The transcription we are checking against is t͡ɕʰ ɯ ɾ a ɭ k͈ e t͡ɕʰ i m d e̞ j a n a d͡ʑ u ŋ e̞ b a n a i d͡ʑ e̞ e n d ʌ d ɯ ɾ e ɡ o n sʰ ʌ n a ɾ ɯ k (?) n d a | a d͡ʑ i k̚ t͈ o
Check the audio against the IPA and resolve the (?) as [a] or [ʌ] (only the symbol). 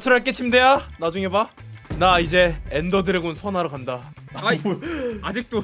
a